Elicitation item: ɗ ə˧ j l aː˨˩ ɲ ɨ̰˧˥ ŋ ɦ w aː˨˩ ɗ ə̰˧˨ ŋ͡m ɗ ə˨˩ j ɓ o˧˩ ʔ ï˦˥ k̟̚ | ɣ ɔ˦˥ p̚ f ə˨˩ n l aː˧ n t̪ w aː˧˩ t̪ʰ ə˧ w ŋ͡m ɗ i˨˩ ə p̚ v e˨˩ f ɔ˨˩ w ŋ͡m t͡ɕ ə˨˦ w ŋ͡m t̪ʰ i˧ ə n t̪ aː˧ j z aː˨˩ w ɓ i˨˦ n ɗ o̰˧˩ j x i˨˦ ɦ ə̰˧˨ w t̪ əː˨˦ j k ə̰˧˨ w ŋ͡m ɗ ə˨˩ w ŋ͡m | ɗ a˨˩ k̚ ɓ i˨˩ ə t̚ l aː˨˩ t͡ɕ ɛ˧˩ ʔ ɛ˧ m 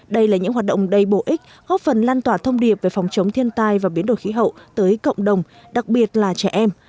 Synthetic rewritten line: ɗ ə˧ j l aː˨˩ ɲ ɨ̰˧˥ ŋ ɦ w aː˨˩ ɗ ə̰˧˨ ŋ͡m ɗ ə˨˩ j ɓ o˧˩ ʔ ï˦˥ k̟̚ | ɣ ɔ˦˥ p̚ f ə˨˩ n l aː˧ n t̪ w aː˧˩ t̪ʰ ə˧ w ŋ͡m ɗ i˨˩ ə p̚ v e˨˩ f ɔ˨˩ w ŋ͡m t͡ɕ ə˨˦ w ŋ͡m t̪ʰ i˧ ə n t̪ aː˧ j v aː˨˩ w ɓ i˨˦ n ɗ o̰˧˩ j x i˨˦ ɦ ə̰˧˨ w t̪ əː˨˦ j k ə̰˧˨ w ŋ͡m ɗ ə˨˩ w ŋ͡m | ɗ a˨˩ k̚ ɓ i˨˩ ə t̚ l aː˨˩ t͡ɕ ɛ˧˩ ʔ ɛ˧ m